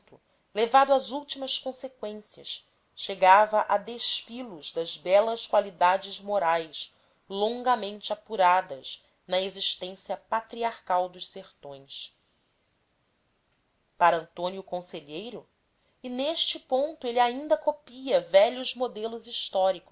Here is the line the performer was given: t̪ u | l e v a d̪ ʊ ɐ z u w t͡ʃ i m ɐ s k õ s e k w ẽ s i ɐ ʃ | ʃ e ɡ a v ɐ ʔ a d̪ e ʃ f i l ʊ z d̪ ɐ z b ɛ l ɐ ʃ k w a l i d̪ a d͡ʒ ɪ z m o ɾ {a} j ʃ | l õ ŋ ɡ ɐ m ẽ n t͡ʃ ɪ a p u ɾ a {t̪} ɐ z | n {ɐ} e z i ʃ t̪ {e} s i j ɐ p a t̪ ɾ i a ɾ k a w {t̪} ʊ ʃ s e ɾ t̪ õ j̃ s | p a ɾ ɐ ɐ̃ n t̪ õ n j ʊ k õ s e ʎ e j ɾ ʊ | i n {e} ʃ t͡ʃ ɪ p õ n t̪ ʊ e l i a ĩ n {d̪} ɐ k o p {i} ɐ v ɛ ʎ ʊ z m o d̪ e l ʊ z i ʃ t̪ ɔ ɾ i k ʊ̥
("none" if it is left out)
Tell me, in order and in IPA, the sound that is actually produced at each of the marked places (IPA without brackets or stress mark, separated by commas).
a, d̪, ɐ, ẽ, d̪, e, d̪, i